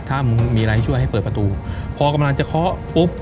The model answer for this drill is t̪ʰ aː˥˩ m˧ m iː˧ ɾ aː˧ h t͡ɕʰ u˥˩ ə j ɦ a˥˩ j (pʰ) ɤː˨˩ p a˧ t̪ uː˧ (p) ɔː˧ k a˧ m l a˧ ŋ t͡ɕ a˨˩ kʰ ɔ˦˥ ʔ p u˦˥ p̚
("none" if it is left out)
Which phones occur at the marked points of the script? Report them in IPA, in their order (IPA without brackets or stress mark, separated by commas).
p, pʰ